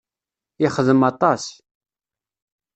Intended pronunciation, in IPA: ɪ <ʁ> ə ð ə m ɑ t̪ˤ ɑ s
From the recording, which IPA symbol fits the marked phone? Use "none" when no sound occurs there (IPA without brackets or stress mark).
χ